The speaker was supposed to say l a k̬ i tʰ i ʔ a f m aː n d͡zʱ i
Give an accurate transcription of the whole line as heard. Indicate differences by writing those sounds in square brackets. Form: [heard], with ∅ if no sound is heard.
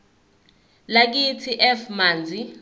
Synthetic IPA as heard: l a k̬ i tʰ i ʔ [ɛ] f m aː n d͡zʱ i